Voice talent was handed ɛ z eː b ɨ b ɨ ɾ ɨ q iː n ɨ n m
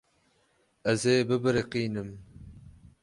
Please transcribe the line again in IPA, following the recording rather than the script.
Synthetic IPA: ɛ z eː b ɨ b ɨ ɾ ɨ q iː n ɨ m